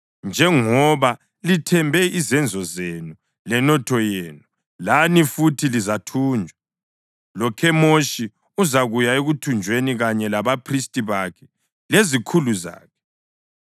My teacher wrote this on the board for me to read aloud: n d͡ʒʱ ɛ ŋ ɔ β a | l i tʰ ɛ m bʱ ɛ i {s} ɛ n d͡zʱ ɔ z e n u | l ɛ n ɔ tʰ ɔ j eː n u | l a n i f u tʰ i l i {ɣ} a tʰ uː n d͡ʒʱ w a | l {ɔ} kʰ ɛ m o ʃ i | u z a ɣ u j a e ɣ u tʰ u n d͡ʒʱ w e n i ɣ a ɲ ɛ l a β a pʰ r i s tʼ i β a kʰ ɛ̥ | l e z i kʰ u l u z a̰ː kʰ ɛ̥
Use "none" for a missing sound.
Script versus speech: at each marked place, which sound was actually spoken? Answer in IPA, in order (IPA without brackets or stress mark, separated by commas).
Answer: z, z, ɔ